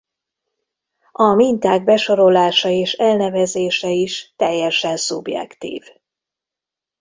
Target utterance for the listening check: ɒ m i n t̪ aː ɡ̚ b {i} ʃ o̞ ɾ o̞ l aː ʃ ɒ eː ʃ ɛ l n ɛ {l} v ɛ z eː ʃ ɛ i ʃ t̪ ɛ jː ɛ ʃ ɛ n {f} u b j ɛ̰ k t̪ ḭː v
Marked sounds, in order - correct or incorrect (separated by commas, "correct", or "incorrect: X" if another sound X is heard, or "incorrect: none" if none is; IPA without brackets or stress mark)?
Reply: incorrect: ɛ, incorrect: none, incorrect: s